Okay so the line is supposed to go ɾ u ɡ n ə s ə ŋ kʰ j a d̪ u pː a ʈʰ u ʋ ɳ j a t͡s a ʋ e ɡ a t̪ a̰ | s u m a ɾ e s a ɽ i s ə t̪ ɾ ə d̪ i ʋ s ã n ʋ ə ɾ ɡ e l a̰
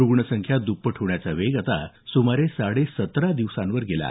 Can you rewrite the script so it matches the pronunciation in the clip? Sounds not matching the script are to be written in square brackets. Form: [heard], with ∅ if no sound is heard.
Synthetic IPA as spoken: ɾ u ɡ [ɳ] ə s ə ŋ kʰ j a d̪ u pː [ə] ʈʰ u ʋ ɳ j a t͡s a ʋ e ɡ a t̪ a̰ | s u m a ɾ e s a ɽ [e] s ə t̪ ɾ [a] d̪ i ʋ s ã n ʋ ə ɾ ɡ e l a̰